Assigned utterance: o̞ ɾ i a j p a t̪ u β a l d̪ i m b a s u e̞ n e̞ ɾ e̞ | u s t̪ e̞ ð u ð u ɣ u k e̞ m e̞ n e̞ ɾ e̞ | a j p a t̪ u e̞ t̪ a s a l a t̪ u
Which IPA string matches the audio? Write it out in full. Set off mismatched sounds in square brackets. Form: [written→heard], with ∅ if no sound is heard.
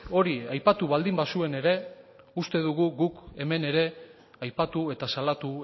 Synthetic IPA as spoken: o̞ ɾ i a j p a t̪ u β a l d̪ i m b a s u e̞ n e̞ ɾ e̞ | u s t̪ e̞ ð u [ð→ɣ] u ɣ u k e̞ m e̞ n e̞ ɾ e̞ | a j p a t̪ u e̞ t̪ a s a l a t̪ u

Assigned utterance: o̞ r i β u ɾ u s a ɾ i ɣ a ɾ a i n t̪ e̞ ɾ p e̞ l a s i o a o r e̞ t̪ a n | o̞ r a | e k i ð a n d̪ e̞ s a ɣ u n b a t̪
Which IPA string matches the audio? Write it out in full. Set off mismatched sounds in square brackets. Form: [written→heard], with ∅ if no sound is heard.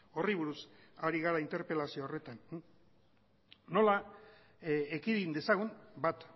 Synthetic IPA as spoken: o̞ r i β u ɾ u s a ɾ i ɣ a ɾ a i n t̪ e̞ ɾ p e̞ l a s i o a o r e̞ t̪ a n | o̞ [r→l] a | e k i ð [a→i] n d̪ e̞ s a ɣ u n b a t̪

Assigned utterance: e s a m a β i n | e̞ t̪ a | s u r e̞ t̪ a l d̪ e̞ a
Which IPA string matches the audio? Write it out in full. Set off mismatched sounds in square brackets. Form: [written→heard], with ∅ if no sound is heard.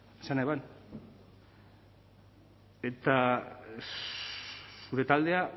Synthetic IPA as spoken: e s a [m→n] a β [i→a] n | e̞ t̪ a | s u [r→ɾ] e̞ t̪ a l d̪ e̞ a

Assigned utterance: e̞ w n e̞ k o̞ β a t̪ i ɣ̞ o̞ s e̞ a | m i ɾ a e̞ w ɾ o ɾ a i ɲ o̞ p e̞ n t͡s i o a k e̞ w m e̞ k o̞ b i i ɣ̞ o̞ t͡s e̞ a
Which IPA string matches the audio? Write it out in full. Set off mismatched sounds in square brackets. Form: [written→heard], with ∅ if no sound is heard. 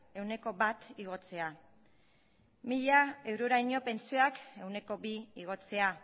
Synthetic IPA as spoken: e̞ w n e̞ k o̞ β a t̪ i ɣ̞ o̞ [s→t͡s] e̞ a | m i [ɾ→ʎ] a e̞ w ɾ o ɾ a [i→j] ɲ o̞ p e̞ n t͡s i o a k e̞ w [m→n] e̞ k o̞ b i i ɣ̞ o̞ t͡s e̞ a

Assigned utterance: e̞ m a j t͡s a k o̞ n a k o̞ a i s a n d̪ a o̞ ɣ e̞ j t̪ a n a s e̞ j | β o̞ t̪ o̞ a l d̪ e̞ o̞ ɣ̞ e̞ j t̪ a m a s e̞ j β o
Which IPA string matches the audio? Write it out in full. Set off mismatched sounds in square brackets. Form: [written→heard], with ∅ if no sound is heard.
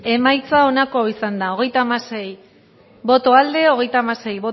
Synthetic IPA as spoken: e̞ m a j t͡s a [k→∅] o̞ n a k o̞ a i s a n d̪ a o̞ ɣ e̞ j t̪ a [n→m] a s e̞ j | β o̞ t̪ o̞ a l d̪ e̞ o̞ ɣ̞ e̞ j t̪ a m a s e̞ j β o

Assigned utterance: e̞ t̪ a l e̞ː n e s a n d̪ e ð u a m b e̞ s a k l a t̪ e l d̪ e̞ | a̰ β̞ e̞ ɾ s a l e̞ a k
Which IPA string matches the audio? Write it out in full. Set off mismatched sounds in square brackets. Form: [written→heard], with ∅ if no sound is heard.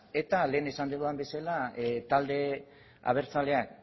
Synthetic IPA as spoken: e̞ t̪ a l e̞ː n e s a n d̪ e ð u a m b e̞ s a [k→∅] l a t̪ [e→a] l d̪ e̞ | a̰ β̞ e̞ ɾ [s→t͡s] a l e̞ a k

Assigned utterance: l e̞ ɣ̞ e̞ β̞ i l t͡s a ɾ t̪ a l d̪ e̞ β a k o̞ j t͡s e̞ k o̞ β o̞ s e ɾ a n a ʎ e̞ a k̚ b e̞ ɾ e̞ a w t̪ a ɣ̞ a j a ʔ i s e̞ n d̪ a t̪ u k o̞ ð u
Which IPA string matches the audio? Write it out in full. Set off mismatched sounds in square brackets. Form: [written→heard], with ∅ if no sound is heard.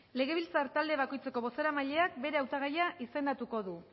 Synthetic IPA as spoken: l e̞ ɣ̞ e̞ β̞ i l t͡s a ɾ t̪ a l d̪ e̞ β a k o̞ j t͡s e̞ k o̞ β o̞ s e ɾ a [n→m] a ʎ e̞ a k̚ b e̞ ɾ e̞ a w t̪ a ɣ̞ a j a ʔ i s e̞ n d̪ a t̪ u k o̞ ð u

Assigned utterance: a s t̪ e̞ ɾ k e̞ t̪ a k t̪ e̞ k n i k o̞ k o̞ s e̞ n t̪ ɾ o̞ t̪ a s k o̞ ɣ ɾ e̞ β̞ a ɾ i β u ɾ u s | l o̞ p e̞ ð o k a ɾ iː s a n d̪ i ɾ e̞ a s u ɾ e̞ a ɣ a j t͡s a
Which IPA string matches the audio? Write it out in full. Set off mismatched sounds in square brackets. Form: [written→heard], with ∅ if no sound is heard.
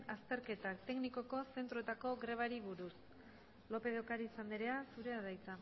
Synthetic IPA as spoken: a s t̪ e̞ ɾ k e̞ t̪ a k t̪ e̞ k n i k o̞ k o̞ s e̞ n t̪ ɾ o̞ t̪ a [s→∅] k o̞ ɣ ɾ e̞ β̞ a ɾ i β u ɾ u s | l o̞ p e̞ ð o k a ɾ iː s a n d̪ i ɾ e̞ a s u ɾ e̞ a [ɣ→ð] a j t͡s a

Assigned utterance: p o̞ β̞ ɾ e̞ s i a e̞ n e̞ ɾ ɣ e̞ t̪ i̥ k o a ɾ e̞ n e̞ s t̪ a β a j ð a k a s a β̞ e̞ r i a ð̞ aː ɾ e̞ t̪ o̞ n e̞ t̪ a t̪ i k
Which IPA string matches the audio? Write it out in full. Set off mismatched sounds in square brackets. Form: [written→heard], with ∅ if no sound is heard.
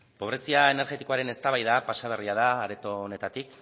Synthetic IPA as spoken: p o̞ β̞ ɾ e̞ s i a e̞ n e̞ ɾ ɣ e̞ t̪ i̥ k o a ɾ e̞ n e̞ s t̪ a β a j ð a [k→p] a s a β̞ e̞ r i a ð̞ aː ɾ e̞ t̪ o̞ n e̞ t̪ a t̪ i k

